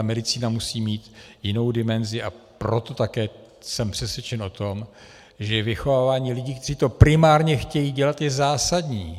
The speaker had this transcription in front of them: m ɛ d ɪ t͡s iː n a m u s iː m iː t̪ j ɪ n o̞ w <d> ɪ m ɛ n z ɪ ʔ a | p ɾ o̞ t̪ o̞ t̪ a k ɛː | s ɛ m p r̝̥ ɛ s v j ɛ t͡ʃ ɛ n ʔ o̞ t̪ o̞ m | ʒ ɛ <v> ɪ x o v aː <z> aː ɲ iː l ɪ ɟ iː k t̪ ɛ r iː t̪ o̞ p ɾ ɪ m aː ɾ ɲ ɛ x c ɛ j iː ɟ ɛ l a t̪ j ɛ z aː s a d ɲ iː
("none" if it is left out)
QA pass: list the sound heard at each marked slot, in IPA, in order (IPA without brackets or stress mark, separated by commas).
d, v, v